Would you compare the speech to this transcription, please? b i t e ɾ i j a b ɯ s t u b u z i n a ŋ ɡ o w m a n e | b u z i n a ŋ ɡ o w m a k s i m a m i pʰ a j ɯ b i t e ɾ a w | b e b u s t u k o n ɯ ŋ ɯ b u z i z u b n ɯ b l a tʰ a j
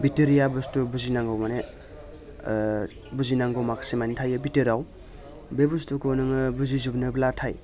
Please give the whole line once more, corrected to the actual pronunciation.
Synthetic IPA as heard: b i t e ɾ i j a b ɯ s t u b u z i n a ŋ ɡ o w m a n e | b u z i n a ŋ ɡ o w m a k s i m a n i tʰ a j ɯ b i t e ɾ a w | b e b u s t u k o n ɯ ŋ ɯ b u z i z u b n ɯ b l a tʰ a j